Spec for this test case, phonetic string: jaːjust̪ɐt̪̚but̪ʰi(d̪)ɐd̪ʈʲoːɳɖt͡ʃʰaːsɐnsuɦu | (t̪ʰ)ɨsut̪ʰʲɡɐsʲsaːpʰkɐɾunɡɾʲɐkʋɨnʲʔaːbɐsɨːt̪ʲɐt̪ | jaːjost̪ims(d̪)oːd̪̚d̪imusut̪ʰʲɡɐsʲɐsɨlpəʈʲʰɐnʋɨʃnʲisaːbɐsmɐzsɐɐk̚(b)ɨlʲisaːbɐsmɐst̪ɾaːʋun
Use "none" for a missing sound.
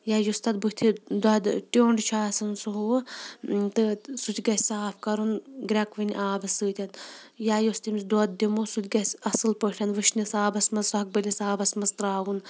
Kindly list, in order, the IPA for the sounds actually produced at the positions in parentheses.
d̪, t̪, d̪, b

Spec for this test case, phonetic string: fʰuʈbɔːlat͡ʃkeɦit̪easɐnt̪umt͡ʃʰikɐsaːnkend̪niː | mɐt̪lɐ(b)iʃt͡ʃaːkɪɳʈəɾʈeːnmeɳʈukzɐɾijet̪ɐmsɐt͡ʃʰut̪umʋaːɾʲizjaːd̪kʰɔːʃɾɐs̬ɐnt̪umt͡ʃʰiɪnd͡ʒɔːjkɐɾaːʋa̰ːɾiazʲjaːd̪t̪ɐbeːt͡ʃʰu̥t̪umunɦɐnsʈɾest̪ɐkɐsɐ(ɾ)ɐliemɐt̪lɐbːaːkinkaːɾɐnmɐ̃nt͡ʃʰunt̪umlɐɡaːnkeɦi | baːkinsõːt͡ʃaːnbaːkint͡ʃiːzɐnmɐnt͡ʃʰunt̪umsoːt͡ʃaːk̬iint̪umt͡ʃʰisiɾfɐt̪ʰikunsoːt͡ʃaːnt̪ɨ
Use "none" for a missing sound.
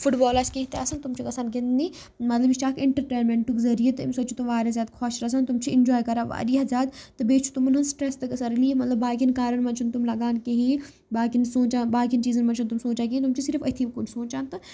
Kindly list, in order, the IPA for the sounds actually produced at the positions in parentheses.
b, ɾ

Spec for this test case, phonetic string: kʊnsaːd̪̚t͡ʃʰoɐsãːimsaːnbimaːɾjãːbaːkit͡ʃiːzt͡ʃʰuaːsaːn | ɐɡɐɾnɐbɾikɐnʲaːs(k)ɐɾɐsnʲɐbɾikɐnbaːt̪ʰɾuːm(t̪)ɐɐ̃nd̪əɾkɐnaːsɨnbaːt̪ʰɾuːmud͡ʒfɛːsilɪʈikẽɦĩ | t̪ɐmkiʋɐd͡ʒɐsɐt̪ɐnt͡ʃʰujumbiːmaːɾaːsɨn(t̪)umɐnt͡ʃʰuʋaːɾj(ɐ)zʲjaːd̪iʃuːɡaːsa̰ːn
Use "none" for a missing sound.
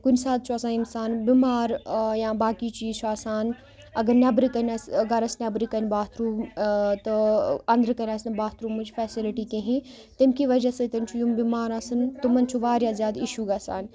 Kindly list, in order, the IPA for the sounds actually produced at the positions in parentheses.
ɡ, t̪, t̪, a

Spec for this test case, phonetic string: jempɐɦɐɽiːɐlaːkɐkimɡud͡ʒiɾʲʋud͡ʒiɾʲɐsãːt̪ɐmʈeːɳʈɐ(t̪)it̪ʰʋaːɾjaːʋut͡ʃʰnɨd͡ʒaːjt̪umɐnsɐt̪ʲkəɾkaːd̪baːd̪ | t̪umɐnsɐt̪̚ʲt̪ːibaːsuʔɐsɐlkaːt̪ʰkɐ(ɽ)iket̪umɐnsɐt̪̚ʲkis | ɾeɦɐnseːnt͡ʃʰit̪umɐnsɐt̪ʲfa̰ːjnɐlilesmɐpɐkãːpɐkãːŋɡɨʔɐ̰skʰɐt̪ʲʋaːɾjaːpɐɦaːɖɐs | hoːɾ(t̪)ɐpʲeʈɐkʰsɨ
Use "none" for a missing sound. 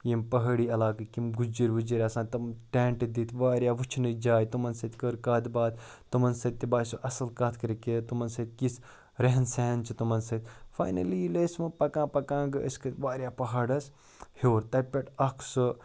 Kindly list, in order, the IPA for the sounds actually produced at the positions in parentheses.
d̪, ɾ, t̪

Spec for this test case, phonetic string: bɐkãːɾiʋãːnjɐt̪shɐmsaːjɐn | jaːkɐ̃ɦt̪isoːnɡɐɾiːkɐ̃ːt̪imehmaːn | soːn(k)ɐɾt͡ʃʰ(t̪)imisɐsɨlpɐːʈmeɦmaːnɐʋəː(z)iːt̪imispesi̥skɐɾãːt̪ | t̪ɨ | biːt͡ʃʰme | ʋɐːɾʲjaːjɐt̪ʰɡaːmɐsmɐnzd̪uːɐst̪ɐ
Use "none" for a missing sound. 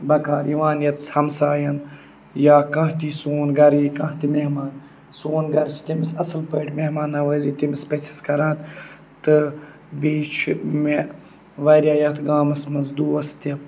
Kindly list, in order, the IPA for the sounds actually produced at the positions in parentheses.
ɡ, t̪, z

